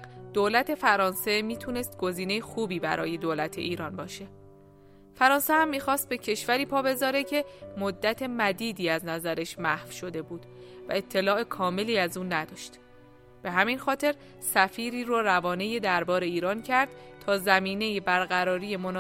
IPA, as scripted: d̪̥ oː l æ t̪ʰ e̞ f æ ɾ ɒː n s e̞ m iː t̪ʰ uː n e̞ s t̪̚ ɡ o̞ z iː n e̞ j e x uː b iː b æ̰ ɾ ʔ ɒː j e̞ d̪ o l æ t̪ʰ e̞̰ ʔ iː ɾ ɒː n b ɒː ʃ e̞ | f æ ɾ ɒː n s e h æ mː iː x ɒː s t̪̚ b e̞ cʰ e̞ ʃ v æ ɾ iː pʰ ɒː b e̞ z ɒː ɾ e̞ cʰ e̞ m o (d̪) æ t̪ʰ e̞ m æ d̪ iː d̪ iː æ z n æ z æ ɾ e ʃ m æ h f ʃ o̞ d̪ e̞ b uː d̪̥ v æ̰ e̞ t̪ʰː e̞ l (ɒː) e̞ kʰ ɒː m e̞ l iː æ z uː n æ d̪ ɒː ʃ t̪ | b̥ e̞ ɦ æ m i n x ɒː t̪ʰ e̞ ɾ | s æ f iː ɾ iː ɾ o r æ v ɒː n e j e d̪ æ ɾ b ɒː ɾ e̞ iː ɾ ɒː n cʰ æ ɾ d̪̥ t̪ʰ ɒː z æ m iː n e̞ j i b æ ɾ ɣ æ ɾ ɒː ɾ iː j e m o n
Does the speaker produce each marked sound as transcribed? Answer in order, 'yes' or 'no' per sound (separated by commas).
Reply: no, yes